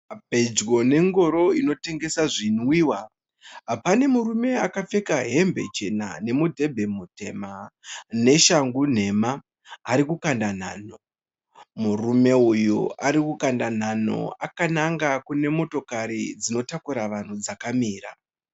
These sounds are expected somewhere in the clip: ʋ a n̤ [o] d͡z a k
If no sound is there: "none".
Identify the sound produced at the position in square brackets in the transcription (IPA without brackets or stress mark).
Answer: u